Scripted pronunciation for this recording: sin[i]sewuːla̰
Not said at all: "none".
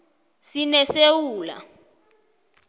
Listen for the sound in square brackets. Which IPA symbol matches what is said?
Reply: ɛ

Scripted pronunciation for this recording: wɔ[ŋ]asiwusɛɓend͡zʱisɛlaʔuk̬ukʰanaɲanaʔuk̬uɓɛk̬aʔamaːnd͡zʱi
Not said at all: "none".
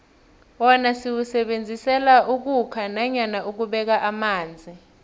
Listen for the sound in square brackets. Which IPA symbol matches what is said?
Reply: n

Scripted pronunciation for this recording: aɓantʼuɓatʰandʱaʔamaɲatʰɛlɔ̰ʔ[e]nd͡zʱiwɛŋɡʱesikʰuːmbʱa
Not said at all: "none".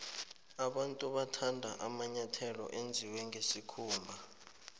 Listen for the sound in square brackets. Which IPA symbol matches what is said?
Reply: e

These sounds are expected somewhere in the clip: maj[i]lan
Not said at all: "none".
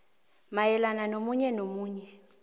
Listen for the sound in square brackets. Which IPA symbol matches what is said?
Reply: ɛ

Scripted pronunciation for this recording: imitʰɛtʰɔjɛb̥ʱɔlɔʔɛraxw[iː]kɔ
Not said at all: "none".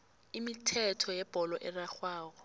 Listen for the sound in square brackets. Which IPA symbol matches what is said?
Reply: aː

